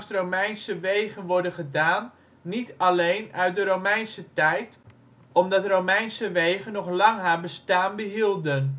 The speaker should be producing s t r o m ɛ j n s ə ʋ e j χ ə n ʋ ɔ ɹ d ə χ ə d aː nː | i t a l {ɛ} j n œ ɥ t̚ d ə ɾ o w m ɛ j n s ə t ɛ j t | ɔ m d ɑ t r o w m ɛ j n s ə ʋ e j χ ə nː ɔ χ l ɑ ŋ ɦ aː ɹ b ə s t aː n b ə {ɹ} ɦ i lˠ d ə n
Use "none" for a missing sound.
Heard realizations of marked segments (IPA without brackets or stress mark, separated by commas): e, none